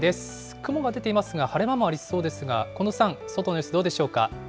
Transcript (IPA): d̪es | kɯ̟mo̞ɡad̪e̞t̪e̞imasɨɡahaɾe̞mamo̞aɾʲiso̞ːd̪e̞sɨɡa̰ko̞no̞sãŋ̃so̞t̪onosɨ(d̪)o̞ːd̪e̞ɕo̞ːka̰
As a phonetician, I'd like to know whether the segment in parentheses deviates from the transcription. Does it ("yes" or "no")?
no